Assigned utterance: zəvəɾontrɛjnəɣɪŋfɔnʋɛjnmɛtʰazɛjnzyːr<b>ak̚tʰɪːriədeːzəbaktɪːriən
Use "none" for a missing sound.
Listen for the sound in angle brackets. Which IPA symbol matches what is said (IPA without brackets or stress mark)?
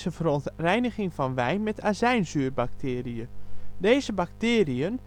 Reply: b